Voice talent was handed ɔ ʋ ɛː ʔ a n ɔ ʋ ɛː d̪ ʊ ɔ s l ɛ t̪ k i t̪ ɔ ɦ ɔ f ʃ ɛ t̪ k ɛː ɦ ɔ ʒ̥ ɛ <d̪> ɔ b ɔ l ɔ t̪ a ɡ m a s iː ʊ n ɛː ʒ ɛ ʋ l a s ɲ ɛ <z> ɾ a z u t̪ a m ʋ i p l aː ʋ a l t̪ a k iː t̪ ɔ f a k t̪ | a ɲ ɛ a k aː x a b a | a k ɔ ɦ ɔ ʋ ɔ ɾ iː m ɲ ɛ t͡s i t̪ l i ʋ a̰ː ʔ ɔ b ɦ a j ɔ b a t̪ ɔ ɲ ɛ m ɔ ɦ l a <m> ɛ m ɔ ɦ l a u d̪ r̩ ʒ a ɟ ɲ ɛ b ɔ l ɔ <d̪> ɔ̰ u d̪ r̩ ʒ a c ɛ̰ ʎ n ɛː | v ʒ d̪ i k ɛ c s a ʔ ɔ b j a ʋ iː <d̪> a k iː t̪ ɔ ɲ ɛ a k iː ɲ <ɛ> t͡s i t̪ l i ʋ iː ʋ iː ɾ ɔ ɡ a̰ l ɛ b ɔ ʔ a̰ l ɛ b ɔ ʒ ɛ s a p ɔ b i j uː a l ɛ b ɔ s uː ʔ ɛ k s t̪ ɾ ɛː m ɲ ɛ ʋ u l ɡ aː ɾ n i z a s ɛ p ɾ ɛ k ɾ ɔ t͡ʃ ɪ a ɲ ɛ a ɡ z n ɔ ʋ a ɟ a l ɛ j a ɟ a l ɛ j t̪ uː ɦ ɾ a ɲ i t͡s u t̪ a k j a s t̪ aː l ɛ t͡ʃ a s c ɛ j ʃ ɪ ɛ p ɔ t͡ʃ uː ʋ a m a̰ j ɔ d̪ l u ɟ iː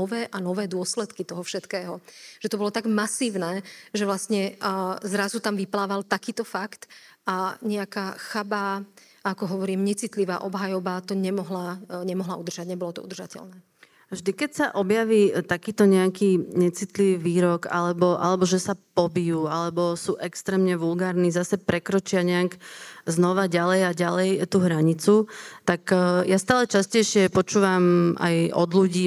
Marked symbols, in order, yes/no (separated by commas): no, yes, no, no, no, yes